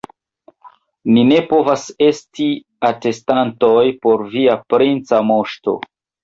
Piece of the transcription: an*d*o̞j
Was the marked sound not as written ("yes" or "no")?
yes